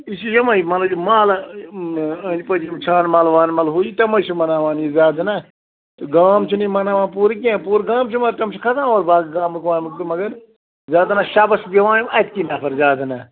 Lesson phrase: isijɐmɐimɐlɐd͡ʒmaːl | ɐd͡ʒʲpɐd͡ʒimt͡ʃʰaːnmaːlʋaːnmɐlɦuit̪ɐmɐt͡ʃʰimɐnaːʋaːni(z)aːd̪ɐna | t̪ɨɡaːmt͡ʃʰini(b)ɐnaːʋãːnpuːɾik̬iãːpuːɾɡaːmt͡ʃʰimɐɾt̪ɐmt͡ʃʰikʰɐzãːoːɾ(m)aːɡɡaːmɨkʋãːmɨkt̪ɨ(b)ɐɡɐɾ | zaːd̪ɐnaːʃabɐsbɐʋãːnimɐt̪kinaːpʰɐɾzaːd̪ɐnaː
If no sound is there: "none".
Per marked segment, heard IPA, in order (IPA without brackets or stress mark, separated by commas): z, m, b, m